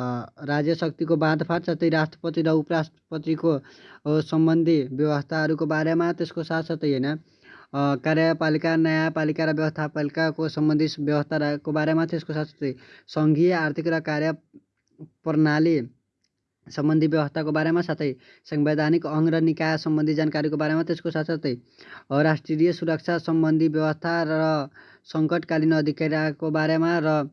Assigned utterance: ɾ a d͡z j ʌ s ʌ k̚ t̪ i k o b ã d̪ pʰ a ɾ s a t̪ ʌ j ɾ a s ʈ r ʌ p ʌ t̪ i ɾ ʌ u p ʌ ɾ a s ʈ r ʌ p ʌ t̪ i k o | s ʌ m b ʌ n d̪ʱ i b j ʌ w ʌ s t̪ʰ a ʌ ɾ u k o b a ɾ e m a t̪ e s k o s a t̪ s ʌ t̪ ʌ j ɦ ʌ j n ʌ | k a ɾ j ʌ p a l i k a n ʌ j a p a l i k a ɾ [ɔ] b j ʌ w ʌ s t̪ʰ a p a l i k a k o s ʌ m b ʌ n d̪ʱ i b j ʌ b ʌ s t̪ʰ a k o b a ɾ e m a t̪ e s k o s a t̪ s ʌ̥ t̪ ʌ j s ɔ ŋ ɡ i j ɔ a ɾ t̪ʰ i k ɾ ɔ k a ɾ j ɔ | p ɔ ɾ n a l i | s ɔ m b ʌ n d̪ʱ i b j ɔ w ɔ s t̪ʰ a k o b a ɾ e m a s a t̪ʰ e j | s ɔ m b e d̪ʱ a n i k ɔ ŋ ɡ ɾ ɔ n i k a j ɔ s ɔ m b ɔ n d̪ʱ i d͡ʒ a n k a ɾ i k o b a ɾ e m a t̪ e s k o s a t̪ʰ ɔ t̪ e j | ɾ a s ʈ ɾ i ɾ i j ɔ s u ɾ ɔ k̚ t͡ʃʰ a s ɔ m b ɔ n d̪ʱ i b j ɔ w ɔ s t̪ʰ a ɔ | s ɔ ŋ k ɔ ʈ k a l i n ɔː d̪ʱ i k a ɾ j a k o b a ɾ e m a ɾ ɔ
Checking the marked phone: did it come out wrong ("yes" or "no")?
yes